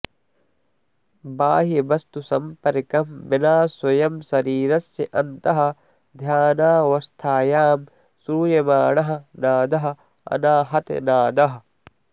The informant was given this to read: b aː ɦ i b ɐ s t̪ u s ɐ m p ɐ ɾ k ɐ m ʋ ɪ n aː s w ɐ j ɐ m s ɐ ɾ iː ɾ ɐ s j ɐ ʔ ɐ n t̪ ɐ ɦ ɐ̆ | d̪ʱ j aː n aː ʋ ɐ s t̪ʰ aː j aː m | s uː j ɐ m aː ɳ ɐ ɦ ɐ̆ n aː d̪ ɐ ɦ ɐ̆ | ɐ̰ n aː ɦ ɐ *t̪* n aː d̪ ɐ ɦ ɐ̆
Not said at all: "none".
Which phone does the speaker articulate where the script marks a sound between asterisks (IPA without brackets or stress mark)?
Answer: t̪